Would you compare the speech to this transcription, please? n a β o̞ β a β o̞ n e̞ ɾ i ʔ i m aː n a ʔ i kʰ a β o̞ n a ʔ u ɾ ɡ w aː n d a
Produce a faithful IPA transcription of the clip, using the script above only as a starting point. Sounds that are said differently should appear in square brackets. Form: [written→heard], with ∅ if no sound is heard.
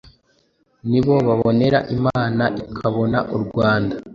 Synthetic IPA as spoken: n [a→i] β o̞ β a β o̞ n e̞ ɾ [i→a] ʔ i m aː n a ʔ i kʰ a β o̞ n a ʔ u ɾ ɡ w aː n d a